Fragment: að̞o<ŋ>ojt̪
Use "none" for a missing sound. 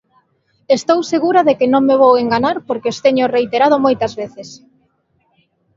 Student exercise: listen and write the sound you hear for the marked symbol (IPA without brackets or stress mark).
m